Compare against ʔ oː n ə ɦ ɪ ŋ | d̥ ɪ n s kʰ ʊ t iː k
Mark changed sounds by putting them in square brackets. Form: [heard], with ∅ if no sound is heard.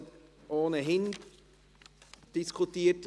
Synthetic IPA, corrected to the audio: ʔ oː n ə ɦ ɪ [n] | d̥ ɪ [∅] s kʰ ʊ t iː [t]